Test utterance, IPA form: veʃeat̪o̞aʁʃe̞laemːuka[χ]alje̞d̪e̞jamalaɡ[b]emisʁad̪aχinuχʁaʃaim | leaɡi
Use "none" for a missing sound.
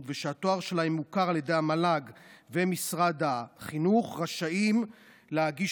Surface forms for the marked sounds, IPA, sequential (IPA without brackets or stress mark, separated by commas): ʁ, v